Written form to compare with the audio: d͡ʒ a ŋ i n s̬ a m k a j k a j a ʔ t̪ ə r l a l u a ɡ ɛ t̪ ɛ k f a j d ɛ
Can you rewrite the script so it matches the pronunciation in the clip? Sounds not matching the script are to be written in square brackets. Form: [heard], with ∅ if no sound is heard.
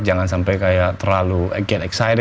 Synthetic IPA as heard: d͡ʒ a ŋ [a] n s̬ a m [p] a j k a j a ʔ t̪ ə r l a l u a ɡ ɛ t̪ ɛ k [s] a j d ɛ